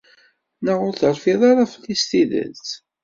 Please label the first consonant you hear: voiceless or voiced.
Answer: voiced